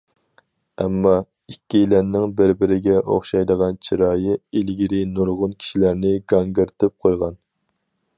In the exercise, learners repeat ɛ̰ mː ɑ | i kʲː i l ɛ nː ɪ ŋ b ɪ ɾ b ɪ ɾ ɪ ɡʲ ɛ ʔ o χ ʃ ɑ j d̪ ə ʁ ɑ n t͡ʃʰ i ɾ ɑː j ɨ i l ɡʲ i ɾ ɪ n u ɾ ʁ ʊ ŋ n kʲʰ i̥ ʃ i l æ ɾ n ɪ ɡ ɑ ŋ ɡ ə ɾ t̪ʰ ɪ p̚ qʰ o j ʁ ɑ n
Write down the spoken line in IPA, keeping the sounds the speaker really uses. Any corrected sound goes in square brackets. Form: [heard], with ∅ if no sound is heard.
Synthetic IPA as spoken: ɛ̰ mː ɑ | i kʲː i l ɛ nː ɪ ŋ b ɪ ɾ b ɪ ɾ ɪ ɡʲ ɛ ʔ o χ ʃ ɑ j d̪ ə ʁ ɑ n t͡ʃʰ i ɾ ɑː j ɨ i l ɡʲ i ɾ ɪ n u ɾ ʁ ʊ [∅] n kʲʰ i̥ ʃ i l æ ɾ n ɪ ɡ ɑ ŋ ɡ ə ɾ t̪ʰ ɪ p̚ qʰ o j ʁ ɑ n